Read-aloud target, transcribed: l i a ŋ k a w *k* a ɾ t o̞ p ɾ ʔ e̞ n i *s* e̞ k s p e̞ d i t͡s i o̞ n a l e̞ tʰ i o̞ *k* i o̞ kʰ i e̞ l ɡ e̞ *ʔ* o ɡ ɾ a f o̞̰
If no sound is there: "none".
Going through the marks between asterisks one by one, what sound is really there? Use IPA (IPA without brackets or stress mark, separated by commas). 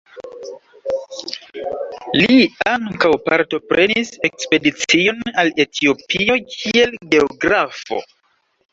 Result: p, s, p, none